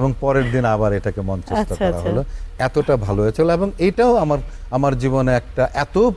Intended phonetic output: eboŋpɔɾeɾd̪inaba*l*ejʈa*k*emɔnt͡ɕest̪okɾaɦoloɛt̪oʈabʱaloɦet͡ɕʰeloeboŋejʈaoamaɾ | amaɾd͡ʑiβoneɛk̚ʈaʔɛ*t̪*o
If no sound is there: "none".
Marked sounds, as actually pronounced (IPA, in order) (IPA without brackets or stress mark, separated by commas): ɾ, k, t̪